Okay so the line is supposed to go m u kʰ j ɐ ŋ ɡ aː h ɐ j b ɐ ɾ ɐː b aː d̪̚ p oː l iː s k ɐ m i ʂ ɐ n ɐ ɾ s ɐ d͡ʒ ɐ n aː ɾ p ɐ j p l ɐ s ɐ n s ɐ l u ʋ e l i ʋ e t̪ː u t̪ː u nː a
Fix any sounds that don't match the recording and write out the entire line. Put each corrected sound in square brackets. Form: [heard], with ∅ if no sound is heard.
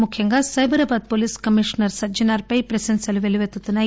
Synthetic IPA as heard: m u kʰ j ɐ ŋ ɡ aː [s] ɐ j b ɐ ɾ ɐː b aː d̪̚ p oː l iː s k ɐ m i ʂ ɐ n ɐ ɾ s ɐ d͡ʒ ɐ n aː ɾ p ɐ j p [ɾ] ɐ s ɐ n s ɐ l u ʋ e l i ʋ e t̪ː u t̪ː u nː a